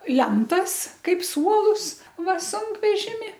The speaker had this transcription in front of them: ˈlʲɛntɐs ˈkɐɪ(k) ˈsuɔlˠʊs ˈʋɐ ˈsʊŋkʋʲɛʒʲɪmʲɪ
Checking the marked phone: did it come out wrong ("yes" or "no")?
yes